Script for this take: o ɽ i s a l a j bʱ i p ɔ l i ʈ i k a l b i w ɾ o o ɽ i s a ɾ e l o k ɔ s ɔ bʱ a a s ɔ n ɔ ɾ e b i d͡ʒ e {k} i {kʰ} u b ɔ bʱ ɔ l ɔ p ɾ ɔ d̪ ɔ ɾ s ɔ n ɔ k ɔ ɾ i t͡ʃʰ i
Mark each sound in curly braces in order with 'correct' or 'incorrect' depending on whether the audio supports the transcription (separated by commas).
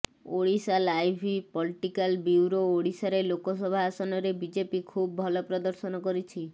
incorrect, correct